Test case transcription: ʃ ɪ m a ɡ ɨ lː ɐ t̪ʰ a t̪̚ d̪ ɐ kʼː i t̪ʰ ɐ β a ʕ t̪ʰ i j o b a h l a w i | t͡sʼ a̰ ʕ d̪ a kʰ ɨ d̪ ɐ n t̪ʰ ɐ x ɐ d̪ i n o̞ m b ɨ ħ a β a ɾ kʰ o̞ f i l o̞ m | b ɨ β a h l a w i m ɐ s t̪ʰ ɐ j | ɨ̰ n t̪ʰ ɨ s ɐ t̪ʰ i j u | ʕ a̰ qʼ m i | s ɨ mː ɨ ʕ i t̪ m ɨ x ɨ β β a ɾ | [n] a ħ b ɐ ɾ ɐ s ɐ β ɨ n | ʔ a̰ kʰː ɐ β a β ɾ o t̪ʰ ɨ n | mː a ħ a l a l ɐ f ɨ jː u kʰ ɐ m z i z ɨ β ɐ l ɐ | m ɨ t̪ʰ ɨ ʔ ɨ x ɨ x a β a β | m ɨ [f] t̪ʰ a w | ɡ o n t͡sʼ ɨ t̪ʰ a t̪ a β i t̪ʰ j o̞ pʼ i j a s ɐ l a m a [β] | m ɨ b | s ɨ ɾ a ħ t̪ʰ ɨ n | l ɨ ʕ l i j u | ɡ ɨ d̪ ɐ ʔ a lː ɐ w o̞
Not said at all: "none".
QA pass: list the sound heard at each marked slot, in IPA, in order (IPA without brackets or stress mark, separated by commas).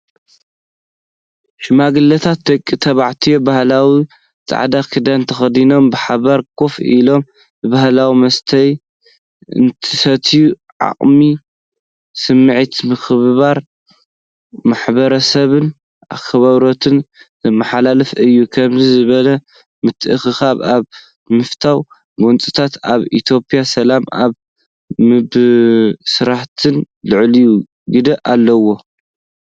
m, f, β